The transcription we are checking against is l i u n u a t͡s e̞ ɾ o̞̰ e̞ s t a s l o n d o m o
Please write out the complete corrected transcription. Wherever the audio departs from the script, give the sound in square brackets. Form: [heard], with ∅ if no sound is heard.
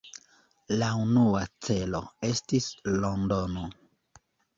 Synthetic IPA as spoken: l [a] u n u a t͡s e̞ [l] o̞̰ e̞ s t [i] s l o n d o [n] o